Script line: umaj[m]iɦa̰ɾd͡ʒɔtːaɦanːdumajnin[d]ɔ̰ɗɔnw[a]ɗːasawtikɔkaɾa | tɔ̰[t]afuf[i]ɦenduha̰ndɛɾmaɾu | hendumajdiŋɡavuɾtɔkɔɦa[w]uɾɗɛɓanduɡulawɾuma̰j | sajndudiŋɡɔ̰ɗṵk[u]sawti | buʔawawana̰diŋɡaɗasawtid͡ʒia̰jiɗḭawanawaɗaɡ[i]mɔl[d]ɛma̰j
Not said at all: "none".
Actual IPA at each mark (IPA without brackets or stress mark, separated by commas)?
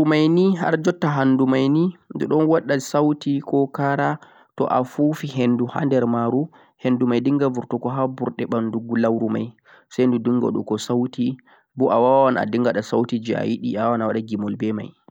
n, d, a, ʔ, i, b, ɔ, i, b